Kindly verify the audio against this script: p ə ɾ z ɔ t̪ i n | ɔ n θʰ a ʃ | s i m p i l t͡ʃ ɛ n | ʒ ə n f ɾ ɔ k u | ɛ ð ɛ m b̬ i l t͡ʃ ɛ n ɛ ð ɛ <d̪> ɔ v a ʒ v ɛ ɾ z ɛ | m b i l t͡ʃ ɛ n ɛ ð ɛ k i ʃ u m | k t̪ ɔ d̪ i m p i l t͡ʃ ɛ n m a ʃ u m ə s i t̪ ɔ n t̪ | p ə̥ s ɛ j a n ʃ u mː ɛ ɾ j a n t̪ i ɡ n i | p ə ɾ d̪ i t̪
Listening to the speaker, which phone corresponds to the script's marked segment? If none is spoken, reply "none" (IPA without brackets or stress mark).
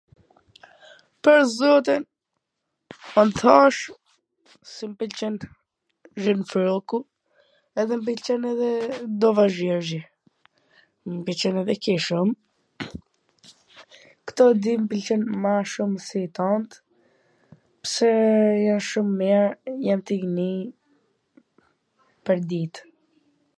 d̪